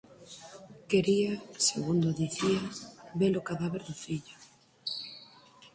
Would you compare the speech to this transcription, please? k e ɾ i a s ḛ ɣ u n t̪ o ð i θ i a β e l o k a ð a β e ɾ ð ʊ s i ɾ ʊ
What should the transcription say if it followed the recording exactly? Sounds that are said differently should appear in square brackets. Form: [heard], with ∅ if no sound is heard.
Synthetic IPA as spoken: k e ɾ i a s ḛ ɣ u n [d̪] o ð i θ i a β e l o k a ð a β e ɾ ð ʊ [f] i [ʎ] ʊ